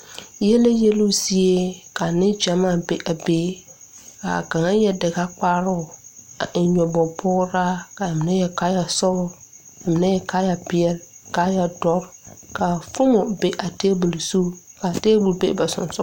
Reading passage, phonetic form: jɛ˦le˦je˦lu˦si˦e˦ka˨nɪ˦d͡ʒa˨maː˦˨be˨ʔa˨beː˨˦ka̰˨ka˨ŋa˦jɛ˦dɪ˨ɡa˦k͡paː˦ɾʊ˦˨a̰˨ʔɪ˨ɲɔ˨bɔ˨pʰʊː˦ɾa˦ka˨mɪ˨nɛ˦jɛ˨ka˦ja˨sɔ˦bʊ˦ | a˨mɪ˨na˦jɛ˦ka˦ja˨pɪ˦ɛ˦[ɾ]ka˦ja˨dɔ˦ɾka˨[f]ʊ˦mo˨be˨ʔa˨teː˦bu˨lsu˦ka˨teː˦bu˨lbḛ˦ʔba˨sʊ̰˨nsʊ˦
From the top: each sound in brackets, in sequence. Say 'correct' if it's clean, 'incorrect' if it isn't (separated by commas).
incorrect, correct